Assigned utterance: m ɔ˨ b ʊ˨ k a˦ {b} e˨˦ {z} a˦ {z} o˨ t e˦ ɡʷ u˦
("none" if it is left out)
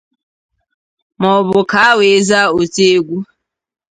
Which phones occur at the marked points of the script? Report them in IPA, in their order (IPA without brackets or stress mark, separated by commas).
w, z, none